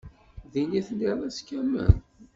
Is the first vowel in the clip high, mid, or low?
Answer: high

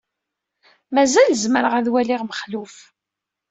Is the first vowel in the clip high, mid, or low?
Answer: low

